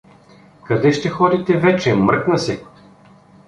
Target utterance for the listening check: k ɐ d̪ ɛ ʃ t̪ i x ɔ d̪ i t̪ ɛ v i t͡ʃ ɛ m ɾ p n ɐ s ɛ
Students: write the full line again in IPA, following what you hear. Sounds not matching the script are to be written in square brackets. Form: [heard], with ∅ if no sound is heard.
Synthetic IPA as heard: k ɐ d̪ ɛ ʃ t̪ [ɛ] x ɔ d̪ i t̪ ɛ v [ɛ] t͡ʃ ɛ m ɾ [k] n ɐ s ɛ